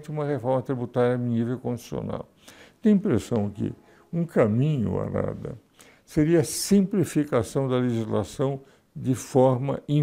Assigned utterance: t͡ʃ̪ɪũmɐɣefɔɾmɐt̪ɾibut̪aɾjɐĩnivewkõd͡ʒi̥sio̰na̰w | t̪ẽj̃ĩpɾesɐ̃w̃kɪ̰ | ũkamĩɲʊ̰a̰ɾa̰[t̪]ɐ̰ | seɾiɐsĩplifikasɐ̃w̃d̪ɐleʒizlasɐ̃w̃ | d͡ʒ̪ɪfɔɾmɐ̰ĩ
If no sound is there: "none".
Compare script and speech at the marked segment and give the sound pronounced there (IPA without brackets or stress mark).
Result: d̪